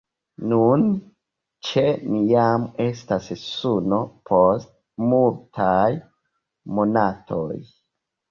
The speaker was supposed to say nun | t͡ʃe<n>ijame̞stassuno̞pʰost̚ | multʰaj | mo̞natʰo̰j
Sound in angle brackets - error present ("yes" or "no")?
no